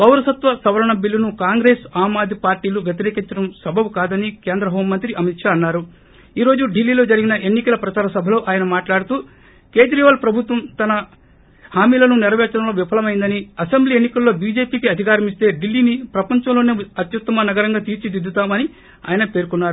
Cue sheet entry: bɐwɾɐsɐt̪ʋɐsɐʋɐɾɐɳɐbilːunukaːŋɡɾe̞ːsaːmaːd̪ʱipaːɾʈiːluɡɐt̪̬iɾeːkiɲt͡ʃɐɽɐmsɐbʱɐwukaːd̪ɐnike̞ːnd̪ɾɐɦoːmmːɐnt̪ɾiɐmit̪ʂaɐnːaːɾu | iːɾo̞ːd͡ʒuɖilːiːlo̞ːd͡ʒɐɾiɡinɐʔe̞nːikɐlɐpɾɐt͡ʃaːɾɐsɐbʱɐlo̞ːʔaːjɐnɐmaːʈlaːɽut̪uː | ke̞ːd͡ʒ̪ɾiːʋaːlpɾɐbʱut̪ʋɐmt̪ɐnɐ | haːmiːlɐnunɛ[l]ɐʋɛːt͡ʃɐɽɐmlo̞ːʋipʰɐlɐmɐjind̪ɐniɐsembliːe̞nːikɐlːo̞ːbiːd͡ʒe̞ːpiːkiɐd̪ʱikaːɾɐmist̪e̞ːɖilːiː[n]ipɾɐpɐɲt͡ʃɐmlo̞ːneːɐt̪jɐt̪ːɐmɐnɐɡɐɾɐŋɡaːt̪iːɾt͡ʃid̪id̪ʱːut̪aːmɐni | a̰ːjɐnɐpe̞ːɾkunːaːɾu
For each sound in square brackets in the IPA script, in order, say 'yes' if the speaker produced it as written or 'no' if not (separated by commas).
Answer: no, yes